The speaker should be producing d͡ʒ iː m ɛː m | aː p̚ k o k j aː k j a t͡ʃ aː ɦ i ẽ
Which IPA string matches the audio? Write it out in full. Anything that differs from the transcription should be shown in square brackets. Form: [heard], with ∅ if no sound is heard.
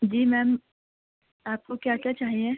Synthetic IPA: d͡ʒ iː m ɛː m | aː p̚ k o k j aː k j a t͡ʃ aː ɦ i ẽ